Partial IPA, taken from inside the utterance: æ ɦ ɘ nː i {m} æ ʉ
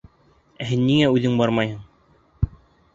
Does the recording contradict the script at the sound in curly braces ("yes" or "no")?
yes